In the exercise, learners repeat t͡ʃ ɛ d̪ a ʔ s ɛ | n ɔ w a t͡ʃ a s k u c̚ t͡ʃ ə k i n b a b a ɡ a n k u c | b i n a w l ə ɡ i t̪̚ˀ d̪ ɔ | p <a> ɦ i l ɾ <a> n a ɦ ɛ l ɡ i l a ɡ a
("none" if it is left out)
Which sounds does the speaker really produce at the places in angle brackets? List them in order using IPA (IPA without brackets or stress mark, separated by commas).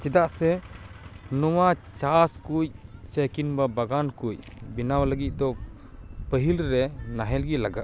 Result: ə, ɛ